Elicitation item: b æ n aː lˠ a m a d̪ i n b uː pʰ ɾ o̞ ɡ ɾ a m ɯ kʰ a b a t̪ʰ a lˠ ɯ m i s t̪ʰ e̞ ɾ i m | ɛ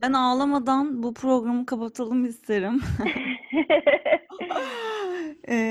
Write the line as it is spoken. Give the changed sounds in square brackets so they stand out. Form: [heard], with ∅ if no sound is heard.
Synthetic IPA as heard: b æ n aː lˠ a m a d̪ [a] n b [u] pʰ ɾ o̞ ɡ ɾ a m ɯ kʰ a [p] a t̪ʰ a lˠ ɯ m i s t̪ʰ e̞ ɾ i m | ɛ